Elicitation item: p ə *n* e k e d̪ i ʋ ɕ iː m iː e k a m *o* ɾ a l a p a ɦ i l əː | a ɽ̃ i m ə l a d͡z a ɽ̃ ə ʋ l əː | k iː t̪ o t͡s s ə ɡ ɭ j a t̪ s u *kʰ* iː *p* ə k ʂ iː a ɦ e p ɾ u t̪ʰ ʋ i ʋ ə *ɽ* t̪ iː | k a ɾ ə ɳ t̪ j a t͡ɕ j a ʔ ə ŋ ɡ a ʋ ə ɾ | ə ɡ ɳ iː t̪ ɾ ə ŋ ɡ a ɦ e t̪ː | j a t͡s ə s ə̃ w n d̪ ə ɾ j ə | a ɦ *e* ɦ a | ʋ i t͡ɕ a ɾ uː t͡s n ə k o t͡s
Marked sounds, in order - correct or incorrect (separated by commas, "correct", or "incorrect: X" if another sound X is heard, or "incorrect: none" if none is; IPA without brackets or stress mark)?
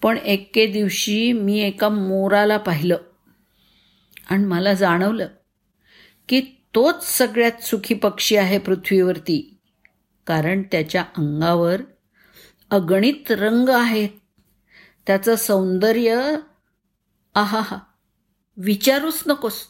incorrect: ɳ, correct, correct, correct, incorrect: ɾ, incorrect: a